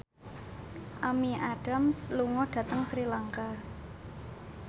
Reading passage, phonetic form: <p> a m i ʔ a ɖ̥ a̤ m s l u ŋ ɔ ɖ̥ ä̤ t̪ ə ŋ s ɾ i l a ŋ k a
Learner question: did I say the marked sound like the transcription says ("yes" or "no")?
no